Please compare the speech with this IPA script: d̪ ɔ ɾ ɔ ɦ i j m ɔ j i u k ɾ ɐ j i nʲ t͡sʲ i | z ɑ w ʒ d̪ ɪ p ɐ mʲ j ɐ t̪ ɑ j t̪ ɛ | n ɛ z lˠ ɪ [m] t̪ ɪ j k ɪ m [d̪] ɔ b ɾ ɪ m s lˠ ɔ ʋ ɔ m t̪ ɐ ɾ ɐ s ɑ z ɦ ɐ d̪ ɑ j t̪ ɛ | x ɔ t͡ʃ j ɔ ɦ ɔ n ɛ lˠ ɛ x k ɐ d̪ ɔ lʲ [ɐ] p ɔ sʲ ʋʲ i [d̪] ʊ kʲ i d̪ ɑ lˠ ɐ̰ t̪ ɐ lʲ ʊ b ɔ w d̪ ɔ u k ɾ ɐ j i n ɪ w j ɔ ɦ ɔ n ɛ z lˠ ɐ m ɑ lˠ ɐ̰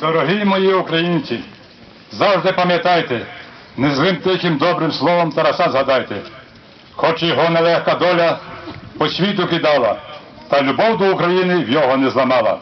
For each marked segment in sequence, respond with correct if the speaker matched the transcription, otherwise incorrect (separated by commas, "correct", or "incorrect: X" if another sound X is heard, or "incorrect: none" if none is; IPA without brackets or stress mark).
correct, correct, correct, incorrect: t̪